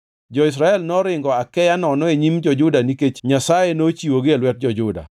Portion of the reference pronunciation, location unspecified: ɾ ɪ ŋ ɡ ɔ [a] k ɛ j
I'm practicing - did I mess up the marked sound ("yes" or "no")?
no